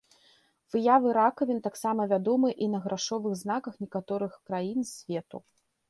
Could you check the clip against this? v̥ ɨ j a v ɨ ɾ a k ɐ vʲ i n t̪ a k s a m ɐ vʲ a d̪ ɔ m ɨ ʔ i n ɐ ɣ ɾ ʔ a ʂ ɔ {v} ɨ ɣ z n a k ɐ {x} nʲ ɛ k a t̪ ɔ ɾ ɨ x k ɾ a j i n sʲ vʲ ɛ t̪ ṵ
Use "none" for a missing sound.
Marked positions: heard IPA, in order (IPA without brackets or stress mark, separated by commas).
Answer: v, x